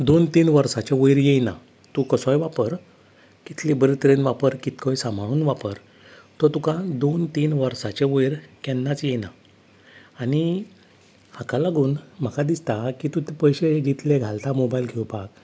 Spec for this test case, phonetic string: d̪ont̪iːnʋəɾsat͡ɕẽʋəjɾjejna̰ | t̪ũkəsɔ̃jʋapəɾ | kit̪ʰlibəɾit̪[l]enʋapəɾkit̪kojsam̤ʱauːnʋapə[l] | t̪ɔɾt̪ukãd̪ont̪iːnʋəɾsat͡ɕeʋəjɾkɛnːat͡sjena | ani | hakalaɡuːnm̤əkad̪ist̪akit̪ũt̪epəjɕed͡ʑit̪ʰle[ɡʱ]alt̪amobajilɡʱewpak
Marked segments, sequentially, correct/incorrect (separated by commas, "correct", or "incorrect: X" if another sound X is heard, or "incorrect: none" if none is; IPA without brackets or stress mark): incorrect: ɾ, incorrect: ɾ, correct